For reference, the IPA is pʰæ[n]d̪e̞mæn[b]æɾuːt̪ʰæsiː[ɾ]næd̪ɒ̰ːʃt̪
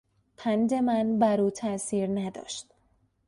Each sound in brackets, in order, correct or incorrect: correct, correct, correct

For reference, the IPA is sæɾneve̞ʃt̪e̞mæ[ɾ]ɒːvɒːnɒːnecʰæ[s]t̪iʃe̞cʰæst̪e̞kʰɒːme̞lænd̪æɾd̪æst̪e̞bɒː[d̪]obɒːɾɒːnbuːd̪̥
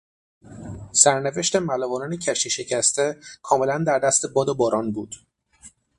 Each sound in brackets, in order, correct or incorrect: incorrect, incorrect, correct

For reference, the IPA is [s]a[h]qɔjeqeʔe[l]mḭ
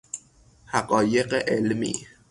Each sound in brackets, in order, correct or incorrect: incorrect, incorrect, correct

